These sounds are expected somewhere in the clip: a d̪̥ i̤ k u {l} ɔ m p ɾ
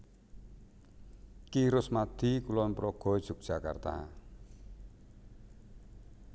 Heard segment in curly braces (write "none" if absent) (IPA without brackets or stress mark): l